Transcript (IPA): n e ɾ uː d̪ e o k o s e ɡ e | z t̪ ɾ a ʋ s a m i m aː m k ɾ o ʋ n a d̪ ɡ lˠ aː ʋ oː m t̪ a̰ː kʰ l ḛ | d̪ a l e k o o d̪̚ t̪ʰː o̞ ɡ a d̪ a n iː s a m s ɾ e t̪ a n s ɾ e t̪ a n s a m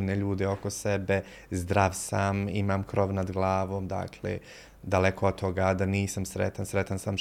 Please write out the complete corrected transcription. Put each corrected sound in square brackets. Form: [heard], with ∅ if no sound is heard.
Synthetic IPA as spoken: n e [ʎ] uː d̪ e o k o s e [b] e | z [d̪] ɾ a ʋ s a m i m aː m k ɾ o ʋ n a d̪ ɡ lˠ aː ʋ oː m [d̪] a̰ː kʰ l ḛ | d̪ a l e k o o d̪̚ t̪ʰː o̞ ɡ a d̪ a n iː s a m s ɾ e t̪ a n s ɾ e t̪ a n s a m